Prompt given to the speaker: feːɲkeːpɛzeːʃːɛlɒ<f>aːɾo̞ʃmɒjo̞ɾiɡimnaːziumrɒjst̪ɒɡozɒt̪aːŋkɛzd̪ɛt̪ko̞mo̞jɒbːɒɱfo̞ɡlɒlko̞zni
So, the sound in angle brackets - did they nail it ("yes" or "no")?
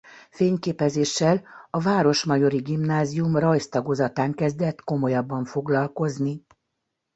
no